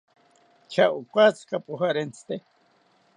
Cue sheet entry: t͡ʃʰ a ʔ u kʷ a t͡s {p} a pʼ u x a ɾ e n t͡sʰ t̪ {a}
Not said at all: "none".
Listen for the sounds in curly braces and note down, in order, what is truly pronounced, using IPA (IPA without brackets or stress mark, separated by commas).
k, e